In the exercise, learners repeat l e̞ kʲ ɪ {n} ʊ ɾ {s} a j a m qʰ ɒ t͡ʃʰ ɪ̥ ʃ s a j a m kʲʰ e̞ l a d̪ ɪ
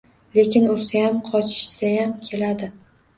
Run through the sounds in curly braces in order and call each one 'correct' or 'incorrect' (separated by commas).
correct, correct